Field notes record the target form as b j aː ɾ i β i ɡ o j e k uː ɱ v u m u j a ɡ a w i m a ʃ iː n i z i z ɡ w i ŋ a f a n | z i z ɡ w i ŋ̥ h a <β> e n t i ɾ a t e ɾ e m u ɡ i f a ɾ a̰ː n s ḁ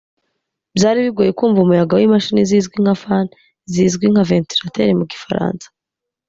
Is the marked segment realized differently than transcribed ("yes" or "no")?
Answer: yes